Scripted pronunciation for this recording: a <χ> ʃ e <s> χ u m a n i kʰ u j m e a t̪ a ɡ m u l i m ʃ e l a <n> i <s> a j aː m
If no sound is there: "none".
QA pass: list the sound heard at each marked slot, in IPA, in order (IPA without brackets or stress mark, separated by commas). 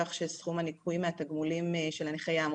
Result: χ, s, n, χ